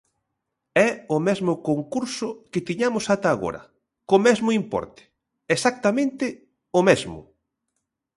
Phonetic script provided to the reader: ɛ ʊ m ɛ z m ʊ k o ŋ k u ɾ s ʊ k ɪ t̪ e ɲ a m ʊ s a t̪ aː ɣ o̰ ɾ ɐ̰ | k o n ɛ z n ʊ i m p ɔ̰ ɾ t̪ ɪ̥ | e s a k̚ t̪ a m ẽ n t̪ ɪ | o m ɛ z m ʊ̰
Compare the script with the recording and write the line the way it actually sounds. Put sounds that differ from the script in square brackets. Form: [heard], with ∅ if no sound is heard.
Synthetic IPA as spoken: ɛ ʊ m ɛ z m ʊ k o ŋ k u ɾ s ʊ k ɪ t̪ [i] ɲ a m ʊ s a t̪ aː ɣ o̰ ɾ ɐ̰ | k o [m] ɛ z [m] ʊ i m p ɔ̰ ɾ t̪ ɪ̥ | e s a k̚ t̪ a m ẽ n t̪ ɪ | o m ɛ z m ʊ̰